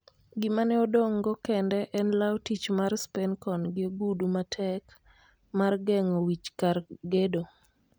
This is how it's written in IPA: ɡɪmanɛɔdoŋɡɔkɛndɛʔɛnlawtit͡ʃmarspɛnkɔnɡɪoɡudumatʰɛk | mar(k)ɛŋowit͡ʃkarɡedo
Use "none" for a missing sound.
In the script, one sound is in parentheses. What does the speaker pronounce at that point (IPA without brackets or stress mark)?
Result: ɡ